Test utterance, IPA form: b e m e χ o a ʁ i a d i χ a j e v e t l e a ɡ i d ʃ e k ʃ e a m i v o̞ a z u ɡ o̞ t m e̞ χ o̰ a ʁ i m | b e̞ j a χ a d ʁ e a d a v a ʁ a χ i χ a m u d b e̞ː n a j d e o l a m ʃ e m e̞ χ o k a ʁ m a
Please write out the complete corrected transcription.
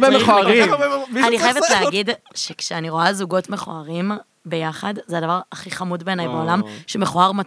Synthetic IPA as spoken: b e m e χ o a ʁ i a n i χ a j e v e t l e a ɡ i d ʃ e k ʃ e a n i ʁ o̞ a z u ɡ o̞ t m e̞ χ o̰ a ʁ i m | b e̞ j a χ a d z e a d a v a ʁ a χ i χ a m u d b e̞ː n a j b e o l a m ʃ e m e̞ χ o a ʁ m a